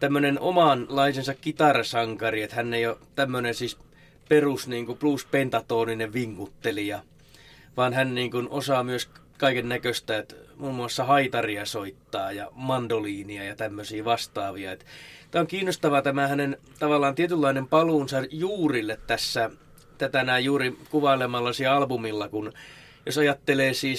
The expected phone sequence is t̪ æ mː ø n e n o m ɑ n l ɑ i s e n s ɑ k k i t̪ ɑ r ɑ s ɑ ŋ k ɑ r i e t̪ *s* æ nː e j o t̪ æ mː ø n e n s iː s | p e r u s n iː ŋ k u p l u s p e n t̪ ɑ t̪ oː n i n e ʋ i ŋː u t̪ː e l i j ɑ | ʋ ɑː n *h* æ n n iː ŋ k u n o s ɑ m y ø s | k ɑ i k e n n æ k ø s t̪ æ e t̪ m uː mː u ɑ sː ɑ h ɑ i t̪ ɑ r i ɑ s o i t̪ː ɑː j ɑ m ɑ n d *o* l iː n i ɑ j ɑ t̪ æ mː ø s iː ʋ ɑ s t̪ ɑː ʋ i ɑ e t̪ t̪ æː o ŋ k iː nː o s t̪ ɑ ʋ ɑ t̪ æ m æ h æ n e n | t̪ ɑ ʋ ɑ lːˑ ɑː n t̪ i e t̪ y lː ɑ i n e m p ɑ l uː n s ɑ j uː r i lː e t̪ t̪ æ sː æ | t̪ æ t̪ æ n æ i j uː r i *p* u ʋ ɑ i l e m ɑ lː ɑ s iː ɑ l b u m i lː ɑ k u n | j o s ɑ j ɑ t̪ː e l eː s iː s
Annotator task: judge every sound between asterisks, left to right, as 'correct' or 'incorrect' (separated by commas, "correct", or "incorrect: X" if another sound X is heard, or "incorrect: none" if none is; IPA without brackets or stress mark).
incorrect: h, correct, correct, incorrect: k